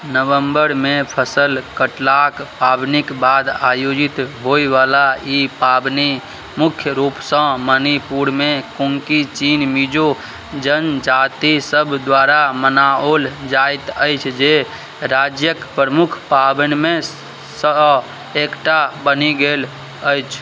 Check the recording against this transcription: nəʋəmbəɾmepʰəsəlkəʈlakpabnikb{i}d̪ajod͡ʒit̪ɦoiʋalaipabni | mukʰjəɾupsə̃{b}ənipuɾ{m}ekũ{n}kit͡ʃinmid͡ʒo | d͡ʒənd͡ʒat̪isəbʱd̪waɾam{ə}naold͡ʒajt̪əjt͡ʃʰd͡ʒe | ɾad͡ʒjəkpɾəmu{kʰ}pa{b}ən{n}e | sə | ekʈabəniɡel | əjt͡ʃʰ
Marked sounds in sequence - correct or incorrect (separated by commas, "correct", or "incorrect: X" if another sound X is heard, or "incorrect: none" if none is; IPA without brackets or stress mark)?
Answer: incorrect: a, incorrect: m, correct, incorrect: ŋ, correct, correct, correct, incorrect: m